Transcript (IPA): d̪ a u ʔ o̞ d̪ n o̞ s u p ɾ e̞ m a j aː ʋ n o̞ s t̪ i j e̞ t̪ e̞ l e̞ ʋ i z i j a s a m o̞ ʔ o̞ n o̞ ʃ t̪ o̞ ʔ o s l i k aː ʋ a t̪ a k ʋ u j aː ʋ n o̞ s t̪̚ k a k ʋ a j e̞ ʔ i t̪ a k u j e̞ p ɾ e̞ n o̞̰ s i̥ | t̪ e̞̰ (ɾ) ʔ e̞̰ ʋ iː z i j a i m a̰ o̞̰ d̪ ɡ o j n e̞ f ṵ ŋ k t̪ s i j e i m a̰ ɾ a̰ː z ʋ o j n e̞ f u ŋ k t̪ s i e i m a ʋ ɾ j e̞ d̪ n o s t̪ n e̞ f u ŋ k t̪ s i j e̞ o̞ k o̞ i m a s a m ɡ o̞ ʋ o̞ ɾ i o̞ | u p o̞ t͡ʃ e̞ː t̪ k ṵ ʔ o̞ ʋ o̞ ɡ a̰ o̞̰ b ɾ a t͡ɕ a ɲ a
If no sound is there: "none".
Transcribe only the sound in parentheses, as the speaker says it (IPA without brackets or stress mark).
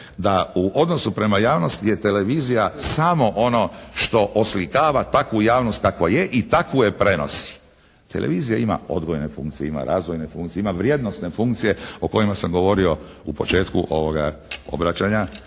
l